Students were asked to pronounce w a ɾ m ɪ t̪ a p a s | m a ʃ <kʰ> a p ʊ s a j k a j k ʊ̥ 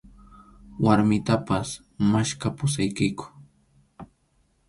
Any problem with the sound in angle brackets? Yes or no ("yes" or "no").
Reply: yes